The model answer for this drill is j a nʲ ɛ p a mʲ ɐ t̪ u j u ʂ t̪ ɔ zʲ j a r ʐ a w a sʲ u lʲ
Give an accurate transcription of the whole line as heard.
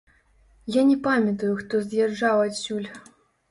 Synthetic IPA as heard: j a nʲ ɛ p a mʲ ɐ t̪ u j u x t̪ ɔ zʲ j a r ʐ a w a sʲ u lʲ